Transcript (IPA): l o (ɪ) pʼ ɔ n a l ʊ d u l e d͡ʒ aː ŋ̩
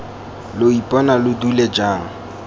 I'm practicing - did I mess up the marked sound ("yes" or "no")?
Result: yes